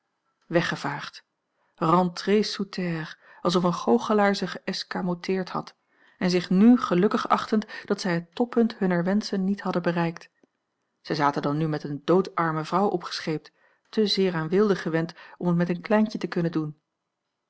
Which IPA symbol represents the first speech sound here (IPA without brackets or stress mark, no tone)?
ʋ